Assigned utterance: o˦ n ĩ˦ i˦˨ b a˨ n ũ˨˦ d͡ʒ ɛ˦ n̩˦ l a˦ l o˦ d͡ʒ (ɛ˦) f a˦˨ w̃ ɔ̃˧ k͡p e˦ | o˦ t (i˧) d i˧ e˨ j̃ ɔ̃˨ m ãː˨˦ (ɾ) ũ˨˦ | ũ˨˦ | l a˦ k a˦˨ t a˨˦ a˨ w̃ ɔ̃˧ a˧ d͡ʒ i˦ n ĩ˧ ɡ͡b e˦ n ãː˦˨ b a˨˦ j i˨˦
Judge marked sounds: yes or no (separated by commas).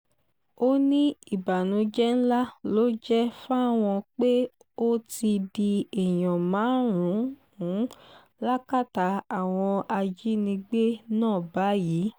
yes, yes, yes